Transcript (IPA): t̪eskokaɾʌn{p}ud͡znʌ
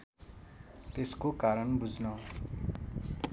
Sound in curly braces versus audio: incorrect: b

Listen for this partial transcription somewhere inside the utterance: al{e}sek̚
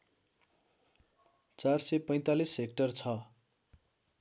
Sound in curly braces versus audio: incorrect: i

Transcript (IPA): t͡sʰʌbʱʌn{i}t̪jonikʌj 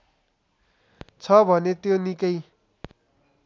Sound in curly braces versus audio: incorrect: e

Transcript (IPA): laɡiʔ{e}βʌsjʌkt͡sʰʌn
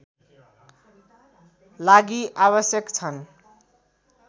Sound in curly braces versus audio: incorrect: a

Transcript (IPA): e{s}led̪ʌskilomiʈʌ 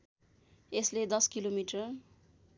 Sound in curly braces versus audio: correct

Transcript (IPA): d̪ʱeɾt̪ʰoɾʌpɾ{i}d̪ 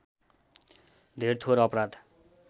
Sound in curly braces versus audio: incorrect: a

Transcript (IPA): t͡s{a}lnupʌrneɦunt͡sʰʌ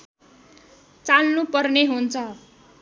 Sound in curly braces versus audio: correct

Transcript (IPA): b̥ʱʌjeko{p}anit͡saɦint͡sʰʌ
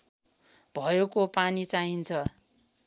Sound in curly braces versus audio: correct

